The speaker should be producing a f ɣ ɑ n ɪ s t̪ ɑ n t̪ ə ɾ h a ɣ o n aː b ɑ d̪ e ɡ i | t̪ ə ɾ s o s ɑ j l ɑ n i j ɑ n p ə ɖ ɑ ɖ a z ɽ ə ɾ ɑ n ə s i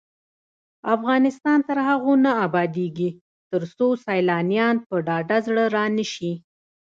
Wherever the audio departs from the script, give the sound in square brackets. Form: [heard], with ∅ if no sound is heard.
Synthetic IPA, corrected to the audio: a f ɣ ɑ n ɪ s t̪ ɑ n t̪ ə ɾ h a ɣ o n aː b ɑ d̪ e ɡ i | t̪ ə ɾ s o s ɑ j l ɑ n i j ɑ n p ə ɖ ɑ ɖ a z ɽ ə ɾ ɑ n ə [ʃ] i